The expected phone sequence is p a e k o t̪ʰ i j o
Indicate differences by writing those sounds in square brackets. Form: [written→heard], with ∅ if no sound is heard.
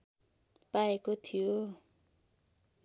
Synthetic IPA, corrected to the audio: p a e k o t̪ʰ i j o